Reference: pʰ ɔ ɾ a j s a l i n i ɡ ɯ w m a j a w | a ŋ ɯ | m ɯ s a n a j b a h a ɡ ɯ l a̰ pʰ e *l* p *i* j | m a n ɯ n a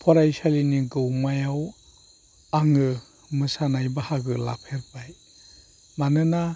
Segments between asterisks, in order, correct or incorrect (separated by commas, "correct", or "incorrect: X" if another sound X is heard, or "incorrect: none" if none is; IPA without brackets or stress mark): incorrect: ɾ, incorrect: a